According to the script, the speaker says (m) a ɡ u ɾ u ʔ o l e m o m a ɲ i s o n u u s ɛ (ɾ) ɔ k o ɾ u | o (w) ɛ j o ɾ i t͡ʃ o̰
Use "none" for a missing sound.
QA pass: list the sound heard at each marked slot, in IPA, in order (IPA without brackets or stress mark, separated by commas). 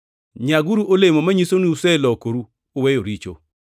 ɲ, l, w